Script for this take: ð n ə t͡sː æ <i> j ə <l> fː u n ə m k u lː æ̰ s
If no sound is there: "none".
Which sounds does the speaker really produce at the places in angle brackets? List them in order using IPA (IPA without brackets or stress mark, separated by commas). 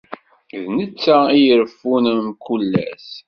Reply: i, ɾ